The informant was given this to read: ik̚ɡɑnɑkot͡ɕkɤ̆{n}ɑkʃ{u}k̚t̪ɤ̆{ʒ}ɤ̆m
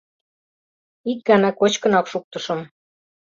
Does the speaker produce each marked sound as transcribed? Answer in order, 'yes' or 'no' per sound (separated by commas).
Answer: yes, yes, no